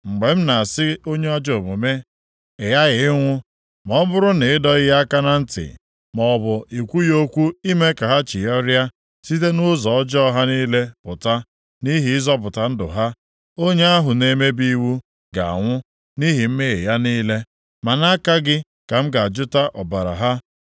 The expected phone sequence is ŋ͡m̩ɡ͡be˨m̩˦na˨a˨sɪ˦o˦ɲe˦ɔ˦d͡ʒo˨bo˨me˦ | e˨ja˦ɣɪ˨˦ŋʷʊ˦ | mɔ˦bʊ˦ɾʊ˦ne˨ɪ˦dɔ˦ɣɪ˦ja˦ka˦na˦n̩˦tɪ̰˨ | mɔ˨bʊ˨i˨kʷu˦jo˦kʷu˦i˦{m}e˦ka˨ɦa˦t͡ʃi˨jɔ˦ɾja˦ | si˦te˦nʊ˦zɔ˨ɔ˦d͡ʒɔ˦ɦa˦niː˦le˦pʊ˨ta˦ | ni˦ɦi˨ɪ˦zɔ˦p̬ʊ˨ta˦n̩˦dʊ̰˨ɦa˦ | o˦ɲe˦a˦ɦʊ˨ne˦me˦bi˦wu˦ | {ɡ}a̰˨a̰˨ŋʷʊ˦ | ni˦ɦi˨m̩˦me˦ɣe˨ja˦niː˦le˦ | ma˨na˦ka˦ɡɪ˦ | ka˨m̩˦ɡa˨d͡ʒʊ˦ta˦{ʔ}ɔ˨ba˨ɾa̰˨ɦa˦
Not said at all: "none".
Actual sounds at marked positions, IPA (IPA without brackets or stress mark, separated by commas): m, ɡ, ʔ